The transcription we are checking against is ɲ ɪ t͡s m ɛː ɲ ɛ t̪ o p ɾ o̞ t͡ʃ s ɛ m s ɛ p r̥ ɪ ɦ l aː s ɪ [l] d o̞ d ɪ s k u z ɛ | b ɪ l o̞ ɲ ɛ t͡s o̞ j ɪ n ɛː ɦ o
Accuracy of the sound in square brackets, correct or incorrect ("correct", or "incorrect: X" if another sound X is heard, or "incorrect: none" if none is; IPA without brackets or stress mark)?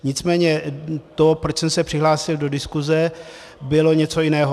correct